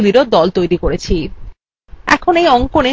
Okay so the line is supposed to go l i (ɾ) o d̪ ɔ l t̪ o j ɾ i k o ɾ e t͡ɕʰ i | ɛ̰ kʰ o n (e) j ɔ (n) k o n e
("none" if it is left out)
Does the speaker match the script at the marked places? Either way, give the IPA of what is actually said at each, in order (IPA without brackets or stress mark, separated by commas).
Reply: ɾ, e, ŋ